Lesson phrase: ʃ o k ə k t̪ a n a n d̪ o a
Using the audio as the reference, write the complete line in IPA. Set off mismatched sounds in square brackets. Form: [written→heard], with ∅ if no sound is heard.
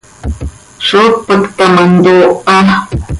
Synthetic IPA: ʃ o [k→p] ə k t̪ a [n→m] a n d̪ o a